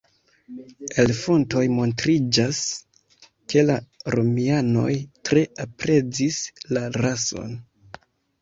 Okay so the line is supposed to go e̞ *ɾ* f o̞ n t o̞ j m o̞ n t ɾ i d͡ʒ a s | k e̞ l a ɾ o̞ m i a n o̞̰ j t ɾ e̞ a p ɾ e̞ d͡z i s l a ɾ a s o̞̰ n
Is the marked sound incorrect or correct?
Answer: incorrect: l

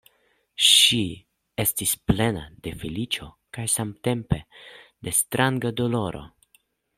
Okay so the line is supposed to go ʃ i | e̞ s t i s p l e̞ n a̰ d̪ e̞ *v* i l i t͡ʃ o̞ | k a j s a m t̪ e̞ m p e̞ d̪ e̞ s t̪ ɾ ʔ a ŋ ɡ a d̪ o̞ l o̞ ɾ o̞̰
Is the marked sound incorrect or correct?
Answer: incorrect: f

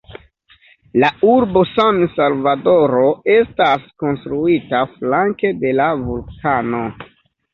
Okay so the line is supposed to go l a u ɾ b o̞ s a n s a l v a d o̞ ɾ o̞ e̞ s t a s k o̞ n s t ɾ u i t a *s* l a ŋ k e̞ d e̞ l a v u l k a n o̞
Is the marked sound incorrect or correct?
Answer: incorrect: f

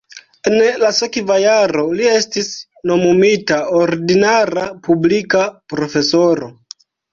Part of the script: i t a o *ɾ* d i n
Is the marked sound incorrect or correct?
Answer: correct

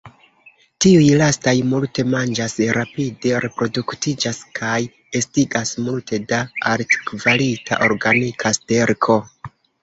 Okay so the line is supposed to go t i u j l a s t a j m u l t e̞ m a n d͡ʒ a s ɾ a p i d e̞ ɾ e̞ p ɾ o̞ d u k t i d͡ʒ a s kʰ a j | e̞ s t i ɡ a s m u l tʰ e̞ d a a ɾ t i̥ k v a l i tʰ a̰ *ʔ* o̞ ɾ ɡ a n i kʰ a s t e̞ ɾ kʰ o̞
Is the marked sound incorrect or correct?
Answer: correct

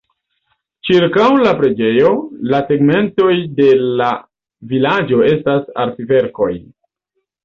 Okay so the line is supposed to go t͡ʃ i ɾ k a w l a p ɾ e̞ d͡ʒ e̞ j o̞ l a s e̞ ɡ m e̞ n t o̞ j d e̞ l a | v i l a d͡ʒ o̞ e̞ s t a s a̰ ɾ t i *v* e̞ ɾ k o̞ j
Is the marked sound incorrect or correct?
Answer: correct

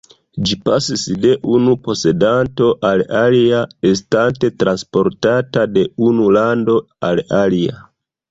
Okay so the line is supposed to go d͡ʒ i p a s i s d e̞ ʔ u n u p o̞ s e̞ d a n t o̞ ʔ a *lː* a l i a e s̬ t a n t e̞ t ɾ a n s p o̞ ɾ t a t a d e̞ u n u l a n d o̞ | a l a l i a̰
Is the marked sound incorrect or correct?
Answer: incorrect: l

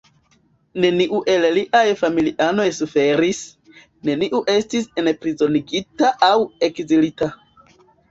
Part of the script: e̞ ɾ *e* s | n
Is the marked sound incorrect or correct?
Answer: incorrect: i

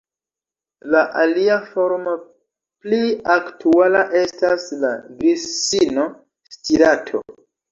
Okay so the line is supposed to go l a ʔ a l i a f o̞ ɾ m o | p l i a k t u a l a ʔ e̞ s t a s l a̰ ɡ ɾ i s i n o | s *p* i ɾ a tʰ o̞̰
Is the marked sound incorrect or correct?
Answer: incorrect: t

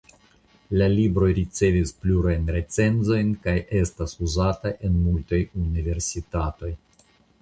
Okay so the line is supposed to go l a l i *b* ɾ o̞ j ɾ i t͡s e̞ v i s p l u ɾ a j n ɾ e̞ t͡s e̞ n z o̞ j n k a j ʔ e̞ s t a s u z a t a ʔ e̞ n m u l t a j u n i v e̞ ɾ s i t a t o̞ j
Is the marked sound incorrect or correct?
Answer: correct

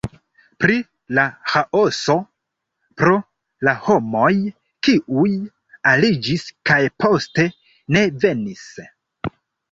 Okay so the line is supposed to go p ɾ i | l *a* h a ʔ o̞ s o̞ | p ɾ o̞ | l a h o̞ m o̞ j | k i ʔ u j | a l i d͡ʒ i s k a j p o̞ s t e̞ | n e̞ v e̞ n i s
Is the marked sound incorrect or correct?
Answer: correct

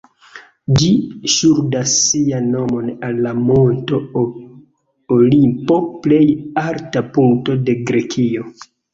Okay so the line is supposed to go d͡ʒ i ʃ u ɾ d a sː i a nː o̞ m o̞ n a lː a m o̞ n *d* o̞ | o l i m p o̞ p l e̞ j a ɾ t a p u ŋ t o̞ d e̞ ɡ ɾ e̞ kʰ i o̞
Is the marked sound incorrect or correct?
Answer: incorrect: t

